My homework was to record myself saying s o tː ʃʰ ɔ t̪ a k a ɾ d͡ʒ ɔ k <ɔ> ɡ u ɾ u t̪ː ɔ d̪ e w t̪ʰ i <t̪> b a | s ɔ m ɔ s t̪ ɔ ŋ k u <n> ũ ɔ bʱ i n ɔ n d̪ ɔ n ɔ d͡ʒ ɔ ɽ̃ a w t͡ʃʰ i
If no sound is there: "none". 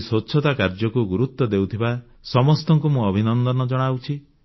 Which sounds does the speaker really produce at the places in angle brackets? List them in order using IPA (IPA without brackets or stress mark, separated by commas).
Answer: u, none, m